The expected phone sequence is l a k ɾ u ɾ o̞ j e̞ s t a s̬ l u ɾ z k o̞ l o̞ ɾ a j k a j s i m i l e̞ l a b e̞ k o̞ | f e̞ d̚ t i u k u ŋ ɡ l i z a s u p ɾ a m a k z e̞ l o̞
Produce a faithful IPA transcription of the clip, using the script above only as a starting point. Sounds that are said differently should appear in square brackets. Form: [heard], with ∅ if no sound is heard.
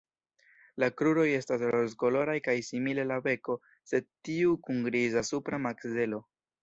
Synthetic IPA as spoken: l a k ɾ u ɾ o̞ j e̞ s t a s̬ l [o] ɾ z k o̞ l o̞ ɾ a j k a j s i m i l e̞ l a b e̞ k o̞ | [s] e̞ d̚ t i u k u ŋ ɡ [ɾ] i z a s u p ɾ a m a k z e̞ l o̞